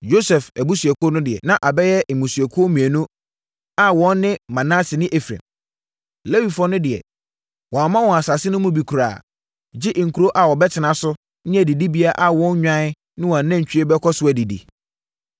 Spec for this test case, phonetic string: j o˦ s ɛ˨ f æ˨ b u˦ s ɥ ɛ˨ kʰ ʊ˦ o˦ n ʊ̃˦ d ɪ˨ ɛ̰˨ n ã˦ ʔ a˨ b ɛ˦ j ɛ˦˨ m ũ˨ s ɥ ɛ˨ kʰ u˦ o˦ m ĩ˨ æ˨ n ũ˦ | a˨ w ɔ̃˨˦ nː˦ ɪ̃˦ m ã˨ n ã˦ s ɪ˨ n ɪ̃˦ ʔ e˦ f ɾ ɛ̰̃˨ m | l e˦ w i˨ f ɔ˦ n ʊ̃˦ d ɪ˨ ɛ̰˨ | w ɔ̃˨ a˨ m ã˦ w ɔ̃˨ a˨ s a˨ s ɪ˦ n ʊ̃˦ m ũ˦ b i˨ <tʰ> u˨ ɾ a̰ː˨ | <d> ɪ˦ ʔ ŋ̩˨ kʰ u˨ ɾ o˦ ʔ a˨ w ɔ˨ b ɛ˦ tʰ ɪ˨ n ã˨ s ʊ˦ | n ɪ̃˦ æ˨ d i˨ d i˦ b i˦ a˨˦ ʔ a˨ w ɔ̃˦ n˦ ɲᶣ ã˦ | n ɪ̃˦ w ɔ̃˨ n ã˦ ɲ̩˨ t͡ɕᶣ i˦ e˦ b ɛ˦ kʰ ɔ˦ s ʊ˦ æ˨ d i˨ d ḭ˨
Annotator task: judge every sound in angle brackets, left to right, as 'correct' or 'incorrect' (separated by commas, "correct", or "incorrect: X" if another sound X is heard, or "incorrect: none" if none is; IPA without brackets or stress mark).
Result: incorrect: kʰ, incorrect: d͡ʑ